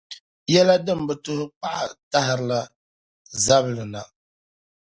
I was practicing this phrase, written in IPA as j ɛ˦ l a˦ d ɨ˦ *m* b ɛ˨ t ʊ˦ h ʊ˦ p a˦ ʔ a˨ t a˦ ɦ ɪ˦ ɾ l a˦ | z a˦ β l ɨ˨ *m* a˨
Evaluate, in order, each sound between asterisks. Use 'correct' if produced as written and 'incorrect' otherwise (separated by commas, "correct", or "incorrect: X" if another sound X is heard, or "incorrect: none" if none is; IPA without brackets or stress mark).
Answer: correct, incorrect: n